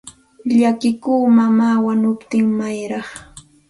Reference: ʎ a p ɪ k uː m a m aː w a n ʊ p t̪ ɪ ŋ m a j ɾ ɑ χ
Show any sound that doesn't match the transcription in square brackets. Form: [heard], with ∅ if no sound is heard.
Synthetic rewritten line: ʎ a [k] ɪ k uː m a m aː w a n ʊ p t̪ ɪ ŋ m a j ɾ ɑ χ